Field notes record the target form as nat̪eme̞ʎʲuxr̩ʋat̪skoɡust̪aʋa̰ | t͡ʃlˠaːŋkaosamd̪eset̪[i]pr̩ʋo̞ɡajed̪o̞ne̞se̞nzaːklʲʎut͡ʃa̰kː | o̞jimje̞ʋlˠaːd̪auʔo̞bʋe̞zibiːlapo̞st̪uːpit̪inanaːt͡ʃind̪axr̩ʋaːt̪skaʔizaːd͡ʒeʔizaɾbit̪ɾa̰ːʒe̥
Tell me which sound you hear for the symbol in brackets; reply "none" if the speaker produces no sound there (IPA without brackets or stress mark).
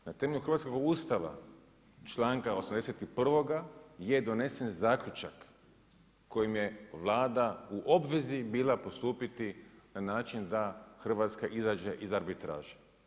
i